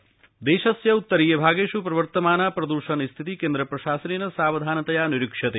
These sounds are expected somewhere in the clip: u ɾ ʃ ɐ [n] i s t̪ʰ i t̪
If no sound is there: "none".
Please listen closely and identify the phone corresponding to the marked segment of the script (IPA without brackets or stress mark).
n